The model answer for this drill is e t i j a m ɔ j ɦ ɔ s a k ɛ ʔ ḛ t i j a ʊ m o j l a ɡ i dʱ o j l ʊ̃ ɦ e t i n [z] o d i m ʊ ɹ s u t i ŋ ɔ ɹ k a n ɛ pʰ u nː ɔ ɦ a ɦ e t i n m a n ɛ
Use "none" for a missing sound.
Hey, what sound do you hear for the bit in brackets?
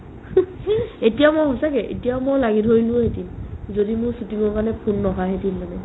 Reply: z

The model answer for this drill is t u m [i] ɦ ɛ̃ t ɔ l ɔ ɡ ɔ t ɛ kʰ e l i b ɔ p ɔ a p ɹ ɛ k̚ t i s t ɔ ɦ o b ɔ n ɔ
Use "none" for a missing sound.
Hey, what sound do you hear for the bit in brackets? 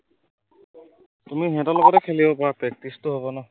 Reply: i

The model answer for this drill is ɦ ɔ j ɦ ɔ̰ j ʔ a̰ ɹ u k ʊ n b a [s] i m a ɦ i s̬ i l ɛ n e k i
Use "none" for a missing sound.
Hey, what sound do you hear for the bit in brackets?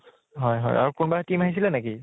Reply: t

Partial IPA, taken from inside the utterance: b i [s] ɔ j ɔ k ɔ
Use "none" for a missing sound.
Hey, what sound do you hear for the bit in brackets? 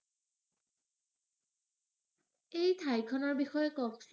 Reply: x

